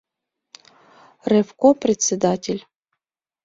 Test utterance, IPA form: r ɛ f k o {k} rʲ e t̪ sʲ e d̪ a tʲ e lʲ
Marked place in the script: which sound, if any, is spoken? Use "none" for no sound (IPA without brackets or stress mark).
p